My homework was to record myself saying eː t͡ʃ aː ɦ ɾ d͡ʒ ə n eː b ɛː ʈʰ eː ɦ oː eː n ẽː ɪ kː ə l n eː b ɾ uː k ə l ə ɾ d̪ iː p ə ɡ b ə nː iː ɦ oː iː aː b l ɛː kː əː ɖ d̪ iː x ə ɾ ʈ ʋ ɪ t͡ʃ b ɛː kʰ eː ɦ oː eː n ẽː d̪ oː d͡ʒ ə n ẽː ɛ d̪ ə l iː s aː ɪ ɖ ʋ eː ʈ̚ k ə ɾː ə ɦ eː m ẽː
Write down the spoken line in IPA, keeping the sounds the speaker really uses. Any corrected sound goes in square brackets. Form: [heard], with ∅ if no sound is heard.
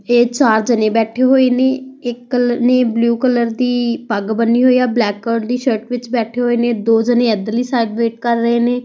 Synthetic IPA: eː t͡ʃ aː [∅] ɾ d͡ʒ ə n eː b ɛː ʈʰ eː ɦ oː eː n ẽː ɪ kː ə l n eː b [l] uː k ə l ə ɾ d̪ iː p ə ɡ b ə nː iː ɦ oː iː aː b l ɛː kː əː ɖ d̪ iː [ʃ] ə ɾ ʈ ʋ ɪ t͡ʃ b ɛː [ʈʰ] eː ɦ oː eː n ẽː d̪ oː d͡ʒ ə n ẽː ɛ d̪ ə l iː s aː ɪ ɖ ʋ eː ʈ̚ k ə ɾː ə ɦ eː [n] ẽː